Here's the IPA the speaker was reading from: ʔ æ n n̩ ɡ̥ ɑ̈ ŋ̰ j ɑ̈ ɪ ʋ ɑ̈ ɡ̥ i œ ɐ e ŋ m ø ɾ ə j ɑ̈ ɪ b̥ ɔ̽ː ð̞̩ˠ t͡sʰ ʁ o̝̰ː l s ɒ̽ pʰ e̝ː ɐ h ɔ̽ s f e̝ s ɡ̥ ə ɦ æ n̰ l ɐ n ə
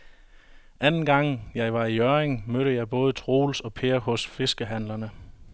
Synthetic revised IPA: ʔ æ n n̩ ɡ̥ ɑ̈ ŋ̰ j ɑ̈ ɪ ʋ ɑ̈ i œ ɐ e ŋ m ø ɾ ə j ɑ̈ ɪ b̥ ɔ̽ː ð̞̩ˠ t͡sʰ ʁ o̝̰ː l s ɒ̽ pʰ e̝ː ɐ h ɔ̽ s f e̝ s ɡ̥ ə ɦ æ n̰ l ɐ n ə